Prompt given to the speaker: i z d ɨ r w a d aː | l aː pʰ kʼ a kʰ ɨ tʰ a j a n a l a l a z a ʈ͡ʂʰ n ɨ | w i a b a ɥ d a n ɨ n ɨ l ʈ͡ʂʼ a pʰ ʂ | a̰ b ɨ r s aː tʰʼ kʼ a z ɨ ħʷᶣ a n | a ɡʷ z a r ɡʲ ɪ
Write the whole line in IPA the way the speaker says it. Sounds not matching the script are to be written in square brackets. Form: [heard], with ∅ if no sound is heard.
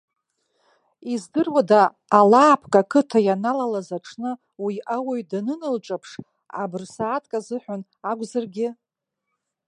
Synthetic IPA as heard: i z d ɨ r w a d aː | l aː pʰ kʼ a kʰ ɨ tʰ a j a n a l a l a z a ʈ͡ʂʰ n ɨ | w i a [w] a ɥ d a n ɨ n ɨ l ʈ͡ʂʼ a pʰ ʂ | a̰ b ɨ r s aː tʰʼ kʼ a z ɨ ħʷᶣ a n | a ɡʷ z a r ɡʲ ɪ